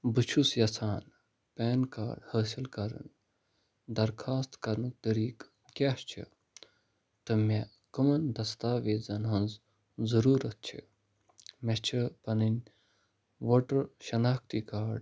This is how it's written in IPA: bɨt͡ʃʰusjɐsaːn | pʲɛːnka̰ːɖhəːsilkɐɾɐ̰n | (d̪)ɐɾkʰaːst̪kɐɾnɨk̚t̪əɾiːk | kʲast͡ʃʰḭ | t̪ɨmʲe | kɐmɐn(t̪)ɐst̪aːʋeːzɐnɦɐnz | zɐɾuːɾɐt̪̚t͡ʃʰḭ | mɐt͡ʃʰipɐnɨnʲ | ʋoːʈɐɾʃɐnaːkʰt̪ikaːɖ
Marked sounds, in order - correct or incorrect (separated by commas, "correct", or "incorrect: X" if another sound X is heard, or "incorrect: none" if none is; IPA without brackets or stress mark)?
correct, incorrect: d̪